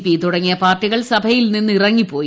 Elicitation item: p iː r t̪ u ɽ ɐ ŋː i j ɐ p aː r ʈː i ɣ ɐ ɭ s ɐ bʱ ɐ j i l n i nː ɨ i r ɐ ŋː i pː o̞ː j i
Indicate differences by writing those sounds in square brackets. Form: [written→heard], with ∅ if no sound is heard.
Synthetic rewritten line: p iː [r→∅] t̪ u ɽ ɐ ŋː i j ɐ p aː r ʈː i ɣ ɐ ɭ s ɐ bʱ ɐ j i l n i nː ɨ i r ɐ ŋː i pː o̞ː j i